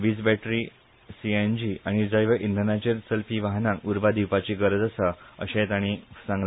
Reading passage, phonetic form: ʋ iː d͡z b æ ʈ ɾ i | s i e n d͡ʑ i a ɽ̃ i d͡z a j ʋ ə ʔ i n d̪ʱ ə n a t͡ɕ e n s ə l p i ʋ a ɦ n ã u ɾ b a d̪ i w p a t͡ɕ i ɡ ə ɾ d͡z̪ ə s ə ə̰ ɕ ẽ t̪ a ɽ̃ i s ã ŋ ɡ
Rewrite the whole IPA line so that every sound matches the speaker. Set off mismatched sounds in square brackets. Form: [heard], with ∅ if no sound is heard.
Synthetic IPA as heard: ʋ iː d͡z b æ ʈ ɾ i | s i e n d͡ʑ i a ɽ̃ i d͡z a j ʋ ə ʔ i n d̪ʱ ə n a t͡ɕ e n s ə l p i ʋ a ɦ n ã u ɾ b a d̪ i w p a t͡ɕ i ɡ ə ɾ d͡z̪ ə s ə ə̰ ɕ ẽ t̪ a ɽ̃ i s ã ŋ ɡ